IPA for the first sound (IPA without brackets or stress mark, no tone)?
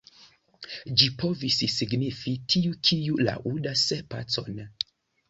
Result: d͡ʒ